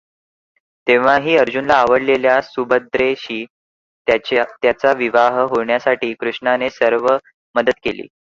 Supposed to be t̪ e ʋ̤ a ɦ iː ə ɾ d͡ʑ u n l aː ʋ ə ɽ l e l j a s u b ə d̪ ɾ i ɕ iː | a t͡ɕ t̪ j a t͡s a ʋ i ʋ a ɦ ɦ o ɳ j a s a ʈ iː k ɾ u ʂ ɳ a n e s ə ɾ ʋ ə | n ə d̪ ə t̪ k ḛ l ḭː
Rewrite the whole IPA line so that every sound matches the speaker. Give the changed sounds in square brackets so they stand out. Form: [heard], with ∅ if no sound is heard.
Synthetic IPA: t̪ e ʋ̤ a ɦ iː ə ɾ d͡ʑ u n l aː ʋ ə ɽ l e l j a s u b ə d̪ ɾ [e] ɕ iː | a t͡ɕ t̪ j a t͡s a ʋ i ʋ a ɦ ɦ o ɳ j a s a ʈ iː k ɾ u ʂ ɳ a n e s ə ɾ ʋ ə | [m] ə d̪ ə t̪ k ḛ l ḭː